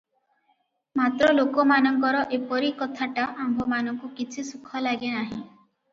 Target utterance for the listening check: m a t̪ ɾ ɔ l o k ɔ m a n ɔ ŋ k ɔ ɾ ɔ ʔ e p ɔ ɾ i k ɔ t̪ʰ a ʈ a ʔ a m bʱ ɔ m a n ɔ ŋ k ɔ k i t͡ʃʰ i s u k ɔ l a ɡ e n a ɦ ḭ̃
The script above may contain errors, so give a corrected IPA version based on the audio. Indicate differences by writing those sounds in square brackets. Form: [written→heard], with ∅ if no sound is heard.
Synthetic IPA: m a t̪ ɾ ɔ l o k ɔ m a n ɔ ŋ k ɔ ɾ ɔ ʔ e p ɔ ɾ i k ɔ t̪ʰ a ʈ a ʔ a m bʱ ɔ m a n ɔ ŋ k [ɔ→u] k i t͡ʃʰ i s u [k→kʰ] ɔ l a ɡ e n a ɦ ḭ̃